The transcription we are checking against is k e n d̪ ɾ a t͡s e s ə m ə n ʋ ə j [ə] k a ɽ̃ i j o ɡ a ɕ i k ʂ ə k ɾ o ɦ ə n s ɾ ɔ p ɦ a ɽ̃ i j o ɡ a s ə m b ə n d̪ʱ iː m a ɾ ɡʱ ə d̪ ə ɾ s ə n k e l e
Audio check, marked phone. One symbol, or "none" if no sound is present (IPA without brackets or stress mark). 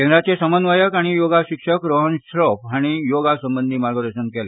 ə